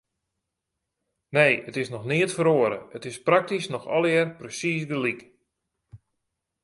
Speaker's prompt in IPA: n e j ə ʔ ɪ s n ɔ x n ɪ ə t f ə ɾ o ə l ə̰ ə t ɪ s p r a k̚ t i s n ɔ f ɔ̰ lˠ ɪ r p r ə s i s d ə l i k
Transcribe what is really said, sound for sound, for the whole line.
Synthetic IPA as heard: n e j ə t ɪ s n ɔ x n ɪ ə t f ə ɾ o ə ɾ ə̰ ə t ɪ s p r a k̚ t i s n ɔ x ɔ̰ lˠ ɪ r p r ə s i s d ə l i k